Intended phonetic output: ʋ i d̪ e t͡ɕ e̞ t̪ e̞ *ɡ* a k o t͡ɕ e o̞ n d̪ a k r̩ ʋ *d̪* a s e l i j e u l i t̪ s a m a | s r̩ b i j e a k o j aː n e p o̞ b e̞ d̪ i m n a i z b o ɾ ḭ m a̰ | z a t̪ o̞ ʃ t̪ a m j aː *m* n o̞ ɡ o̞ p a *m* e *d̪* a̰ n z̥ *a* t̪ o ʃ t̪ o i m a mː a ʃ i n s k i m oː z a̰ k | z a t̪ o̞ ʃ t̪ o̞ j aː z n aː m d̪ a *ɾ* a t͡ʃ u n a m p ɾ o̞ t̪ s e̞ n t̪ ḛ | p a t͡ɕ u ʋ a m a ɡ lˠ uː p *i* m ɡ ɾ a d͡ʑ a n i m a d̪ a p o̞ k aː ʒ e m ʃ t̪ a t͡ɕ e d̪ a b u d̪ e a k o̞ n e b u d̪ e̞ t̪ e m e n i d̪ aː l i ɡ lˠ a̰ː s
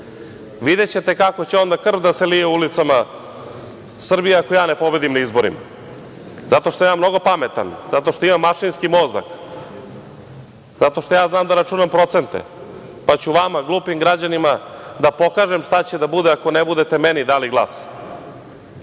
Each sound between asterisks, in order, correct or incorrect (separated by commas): incorrect, correct, correct, correct, incorrect, correct, correct, correct